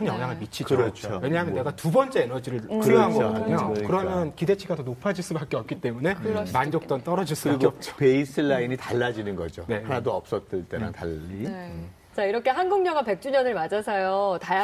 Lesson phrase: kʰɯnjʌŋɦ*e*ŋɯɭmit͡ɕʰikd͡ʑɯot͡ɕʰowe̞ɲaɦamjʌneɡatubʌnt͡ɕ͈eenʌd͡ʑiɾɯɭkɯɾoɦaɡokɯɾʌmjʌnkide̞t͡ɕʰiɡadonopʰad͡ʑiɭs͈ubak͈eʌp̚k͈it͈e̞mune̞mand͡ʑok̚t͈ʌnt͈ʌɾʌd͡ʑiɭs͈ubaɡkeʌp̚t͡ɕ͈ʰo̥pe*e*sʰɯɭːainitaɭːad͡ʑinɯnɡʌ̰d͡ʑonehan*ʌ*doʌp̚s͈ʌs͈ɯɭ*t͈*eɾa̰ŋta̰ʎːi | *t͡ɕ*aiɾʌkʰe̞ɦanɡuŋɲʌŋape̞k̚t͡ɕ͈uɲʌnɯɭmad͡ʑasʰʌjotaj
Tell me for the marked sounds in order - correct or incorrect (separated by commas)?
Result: incorrect, incorrect, incorrect, correct, correct